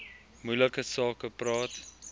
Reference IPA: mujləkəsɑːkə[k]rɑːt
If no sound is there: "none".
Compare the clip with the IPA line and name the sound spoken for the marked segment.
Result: p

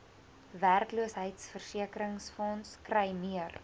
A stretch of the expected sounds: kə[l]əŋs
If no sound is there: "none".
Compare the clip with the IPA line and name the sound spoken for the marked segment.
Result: ɾ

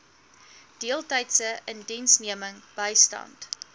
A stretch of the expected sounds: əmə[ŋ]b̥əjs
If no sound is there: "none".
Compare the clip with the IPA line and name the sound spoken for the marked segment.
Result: ŋ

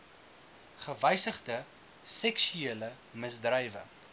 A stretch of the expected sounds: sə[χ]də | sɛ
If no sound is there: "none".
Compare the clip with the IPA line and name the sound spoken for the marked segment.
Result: χ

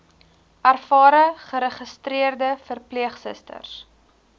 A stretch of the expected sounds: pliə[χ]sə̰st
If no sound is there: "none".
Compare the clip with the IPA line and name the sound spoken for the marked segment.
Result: χ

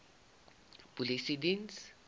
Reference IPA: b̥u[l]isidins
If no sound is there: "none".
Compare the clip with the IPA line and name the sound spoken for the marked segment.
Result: l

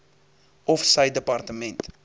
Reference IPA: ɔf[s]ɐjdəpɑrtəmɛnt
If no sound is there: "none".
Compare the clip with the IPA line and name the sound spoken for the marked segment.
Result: s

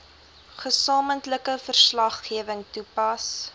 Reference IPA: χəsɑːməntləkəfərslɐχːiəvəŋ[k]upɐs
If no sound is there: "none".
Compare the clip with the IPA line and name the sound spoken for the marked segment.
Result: t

